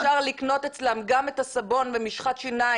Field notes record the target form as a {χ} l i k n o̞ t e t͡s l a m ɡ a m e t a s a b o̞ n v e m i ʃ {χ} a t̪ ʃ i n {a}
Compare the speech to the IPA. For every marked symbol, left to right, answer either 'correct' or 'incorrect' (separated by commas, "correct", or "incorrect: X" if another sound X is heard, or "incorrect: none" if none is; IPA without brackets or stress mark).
incorrect: ʁ, correct, correct